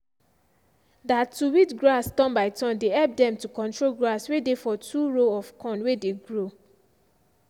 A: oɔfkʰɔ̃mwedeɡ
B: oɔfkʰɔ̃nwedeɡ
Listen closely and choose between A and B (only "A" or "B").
B